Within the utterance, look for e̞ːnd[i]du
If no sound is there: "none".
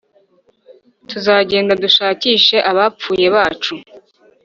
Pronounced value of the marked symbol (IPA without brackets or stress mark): a